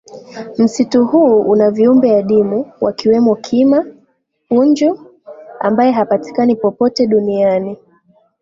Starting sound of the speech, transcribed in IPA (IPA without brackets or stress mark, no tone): m̩